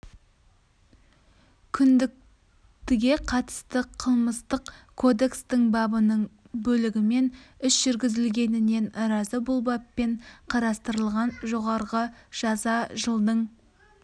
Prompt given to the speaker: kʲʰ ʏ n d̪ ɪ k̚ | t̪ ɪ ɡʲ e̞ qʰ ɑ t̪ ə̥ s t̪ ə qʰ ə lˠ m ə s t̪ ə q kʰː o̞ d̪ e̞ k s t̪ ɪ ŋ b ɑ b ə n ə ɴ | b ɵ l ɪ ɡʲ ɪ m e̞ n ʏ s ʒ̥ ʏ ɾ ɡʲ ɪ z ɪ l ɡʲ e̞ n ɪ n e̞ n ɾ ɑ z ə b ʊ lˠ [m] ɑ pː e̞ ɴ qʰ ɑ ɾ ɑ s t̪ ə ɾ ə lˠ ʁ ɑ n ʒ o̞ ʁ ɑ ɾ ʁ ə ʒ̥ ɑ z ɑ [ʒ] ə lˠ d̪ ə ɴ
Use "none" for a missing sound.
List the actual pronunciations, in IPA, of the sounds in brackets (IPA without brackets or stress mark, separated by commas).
b, ʒ